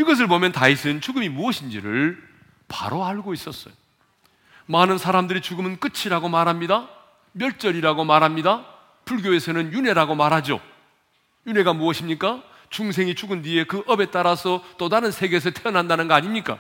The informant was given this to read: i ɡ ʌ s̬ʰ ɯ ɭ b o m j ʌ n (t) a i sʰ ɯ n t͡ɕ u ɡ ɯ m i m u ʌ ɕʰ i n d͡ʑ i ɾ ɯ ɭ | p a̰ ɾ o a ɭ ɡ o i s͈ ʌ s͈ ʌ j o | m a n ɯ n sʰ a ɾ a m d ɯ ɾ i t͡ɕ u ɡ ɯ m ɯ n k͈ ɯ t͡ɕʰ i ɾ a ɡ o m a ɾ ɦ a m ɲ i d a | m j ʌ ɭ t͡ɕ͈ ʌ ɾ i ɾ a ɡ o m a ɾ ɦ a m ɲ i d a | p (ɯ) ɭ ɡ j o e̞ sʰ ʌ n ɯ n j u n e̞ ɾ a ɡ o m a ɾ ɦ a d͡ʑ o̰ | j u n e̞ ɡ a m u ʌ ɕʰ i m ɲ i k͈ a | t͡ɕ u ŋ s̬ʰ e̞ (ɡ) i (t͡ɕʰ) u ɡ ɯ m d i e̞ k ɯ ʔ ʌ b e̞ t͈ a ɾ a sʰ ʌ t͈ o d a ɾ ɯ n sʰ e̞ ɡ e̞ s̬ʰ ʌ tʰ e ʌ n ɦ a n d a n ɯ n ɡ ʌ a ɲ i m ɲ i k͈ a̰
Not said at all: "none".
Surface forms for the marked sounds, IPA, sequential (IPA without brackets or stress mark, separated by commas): t, u, ŋ, t͡ɕ